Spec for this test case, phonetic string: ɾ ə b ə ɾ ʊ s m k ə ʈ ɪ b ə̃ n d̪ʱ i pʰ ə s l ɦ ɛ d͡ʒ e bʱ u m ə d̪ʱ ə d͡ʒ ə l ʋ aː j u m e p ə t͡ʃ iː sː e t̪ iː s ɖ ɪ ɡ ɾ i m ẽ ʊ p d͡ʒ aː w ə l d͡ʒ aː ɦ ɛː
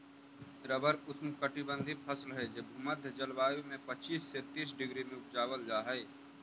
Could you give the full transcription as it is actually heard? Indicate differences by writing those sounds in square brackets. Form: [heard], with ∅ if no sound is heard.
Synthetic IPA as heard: ɾ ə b ə ɾ ʊ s m k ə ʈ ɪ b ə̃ n d̪ʱ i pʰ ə s l ɦ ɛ d͡ʒ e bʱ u m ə d̪ʱ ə d͡ʒ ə l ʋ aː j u m [ẽ] p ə t͡ʃ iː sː e t̪ iː s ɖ ɪ ɡ ɾ i m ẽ ʊ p d͡ʒ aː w ə l d͡ʒ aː ɦ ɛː